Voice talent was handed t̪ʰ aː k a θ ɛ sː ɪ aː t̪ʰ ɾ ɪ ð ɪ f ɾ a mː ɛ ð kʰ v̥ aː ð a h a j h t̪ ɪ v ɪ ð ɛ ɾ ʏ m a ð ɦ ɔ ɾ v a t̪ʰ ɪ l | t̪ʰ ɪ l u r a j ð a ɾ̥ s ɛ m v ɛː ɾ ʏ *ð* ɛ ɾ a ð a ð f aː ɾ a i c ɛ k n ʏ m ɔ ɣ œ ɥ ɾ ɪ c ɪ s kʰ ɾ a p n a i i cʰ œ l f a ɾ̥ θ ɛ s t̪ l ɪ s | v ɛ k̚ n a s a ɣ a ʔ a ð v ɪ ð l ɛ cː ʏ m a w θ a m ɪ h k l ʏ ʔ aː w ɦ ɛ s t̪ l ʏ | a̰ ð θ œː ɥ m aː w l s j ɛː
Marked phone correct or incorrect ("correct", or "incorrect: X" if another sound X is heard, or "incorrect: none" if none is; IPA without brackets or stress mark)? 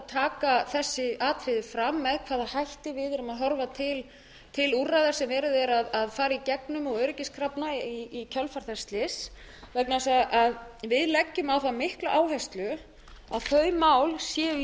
correct